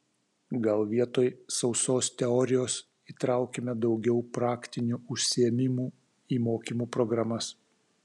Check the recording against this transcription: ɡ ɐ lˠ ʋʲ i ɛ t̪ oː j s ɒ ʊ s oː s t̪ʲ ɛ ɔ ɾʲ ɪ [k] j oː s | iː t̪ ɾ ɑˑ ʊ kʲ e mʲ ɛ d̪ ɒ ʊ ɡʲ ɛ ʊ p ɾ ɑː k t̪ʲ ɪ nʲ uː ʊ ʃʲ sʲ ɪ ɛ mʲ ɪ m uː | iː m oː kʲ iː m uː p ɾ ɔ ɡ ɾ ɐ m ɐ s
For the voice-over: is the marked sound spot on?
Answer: no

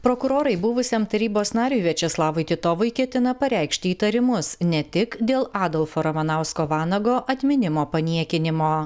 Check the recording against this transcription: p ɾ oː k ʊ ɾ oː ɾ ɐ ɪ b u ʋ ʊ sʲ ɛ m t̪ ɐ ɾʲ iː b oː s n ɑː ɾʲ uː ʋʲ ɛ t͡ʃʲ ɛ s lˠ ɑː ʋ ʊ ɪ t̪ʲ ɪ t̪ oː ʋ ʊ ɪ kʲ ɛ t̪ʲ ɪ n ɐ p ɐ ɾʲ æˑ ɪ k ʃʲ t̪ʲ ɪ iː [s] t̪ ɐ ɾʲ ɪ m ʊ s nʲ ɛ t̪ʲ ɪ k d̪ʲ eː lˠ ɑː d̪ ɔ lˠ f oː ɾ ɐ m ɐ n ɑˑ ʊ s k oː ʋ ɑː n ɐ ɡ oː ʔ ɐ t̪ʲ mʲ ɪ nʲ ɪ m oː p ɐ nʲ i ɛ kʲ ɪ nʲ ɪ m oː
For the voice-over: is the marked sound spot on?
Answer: no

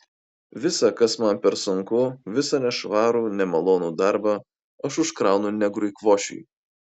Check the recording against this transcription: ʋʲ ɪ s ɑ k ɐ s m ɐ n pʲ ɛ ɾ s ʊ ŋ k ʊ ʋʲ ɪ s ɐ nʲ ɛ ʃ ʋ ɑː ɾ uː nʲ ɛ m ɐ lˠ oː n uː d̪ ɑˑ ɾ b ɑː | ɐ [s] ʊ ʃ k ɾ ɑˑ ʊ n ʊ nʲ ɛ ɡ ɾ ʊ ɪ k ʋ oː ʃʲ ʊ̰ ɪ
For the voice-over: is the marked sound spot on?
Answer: no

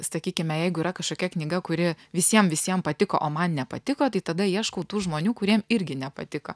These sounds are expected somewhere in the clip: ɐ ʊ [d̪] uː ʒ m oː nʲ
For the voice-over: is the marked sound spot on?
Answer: no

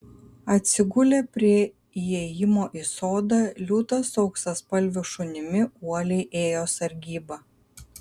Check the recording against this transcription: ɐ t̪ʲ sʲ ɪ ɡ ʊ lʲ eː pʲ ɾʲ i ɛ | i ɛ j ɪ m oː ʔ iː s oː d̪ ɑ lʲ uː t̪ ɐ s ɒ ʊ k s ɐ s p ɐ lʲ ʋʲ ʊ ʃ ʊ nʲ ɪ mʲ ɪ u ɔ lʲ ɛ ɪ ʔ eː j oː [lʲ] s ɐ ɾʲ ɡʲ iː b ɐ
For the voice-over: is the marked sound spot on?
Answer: no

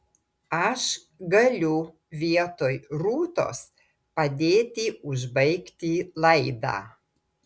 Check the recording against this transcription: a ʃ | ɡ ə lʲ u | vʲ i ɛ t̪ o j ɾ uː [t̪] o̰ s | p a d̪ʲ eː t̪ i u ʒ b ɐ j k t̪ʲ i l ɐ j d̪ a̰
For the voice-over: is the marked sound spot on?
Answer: yes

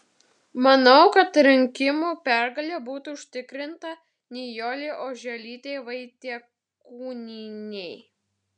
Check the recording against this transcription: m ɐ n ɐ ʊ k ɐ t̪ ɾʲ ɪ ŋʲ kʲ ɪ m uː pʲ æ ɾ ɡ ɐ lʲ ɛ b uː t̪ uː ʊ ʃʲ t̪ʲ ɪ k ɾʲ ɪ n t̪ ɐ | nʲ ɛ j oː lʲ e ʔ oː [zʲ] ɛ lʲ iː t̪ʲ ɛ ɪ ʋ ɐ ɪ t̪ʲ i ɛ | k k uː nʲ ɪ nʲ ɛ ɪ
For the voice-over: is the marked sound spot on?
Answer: no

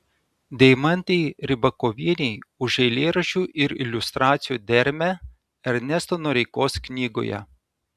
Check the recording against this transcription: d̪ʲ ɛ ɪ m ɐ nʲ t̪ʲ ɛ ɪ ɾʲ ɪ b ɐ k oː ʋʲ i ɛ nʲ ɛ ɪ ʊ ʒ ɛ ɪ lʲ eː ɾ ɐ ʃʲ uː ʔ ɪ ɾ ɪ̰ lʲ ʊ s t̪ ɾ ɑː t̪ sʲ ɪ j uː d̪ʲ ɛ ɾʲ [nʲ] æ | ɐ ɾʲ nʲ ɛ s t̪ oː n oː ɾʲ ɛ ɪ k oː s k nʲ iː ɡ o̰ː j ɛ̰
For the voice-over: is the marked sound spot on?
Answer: no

